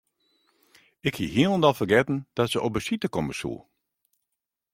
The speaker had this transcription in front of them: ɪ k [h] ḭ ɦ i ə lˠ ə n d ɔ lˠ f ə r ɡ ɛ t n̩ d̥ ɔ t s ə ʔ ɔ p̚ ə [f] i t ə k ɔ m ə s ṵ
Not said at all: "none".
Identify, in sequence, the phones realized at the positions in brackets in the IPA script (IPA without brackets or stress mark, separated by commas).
h, s